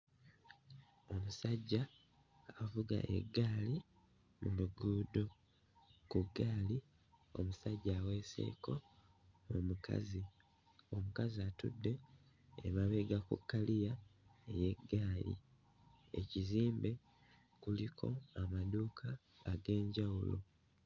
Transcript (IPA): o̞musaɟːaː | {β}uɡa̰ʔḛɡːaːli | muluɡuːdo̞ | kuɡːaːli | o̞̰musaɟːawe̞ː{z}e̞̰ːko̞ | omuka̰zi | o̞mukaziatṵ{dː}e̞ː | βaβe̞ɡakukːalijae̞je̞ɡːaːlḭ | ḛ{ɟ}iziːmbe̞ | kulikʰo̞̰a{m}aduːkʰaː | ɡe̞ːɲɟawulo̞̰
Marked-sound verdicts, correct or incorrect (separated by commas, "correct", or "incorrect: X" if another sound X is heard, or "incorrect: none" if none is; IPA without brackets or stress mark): incorrect: v, incorrect: s, correct, incorrect: c, correct